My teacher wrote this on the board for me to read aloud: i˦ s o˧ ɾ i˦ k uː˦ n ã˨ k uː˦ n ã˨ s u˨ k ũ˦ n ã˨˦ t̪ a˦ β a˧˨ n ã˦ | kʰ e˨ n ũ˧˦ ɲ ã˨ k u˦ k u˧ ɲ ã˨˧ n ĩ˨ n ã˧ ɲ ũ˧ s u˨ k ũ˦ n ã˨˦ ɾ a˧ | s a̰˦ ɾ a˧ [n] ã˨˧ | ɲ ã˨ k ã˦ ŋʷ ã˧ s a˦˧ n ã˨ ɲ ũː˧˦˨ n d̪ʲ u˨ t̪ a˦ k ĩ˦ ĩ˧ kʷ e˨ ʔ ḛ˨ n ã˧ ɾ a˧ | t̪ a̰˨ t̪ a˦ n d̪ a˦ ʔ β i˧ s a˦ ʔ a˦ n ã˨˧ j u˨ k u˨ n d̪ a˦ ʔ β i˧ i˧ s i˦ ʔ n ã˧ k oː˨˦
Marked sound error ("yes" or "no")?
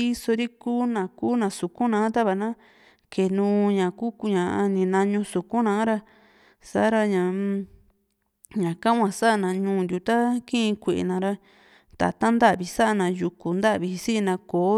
yes